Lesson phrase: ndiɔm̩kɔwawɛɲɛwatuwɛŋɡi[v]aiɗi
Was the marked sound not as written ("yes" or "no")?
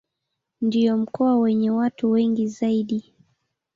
yes